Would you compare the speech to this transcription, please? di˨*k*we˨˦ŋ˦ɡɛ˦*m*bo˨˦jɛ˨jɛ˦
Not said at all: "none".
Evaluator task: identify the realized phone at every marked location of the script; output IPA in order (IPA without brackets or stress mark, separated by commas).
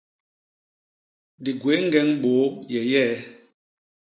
ɡ, ŋ